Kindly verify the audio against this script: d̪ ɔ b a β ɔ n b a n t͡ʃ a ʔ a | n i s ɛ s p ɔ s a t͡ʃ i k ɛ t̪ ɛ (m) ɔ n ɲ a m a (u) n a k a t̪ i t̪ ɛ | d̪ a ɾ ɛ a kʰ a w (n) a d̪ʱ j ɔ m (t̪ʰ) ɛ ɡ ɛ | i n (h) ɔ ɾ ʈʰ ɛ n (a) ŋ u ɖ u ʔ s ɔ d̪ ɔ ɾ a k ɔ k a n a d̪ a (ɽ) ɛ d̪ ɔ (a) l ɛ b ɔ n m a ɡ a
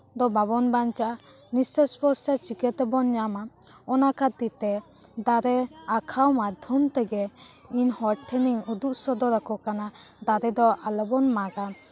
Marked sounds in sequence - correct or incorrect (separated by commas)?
incorrect, incorrect, incorrect, incorrect, correct, incorrect, incorrect, correct